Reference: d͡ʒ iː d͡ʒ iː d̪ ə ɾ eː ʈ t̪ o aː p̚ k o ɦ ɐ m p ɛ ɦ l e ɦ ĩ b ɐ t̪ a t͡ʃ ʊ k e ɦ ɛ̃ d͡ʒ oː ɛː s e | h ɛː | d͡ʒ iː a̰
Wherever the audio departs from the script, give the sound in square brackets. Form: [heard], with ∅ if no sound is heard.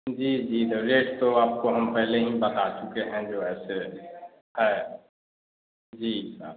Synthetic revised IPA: d͡ʒ iː d͡ʒ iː d̪ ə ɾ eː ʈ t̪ o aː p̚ k o ɦ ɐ m p ɛ ɦ l e ɦ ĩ b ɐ t̪ a t͡ʃ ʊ k e ɦ ɛ̃ d͡ʒ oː ɛː s e | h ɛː | d͡ʒ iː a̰